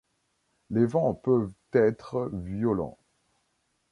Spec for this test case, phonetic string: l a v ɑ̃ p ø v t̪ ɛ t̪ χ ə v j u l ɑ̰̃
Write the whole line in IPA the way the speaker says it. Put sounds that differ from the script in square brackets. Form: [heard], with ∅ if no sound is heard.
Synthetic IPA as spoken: l [e] v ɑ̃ p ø v t̪ ɛ t̪ χ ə v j [ɔ] l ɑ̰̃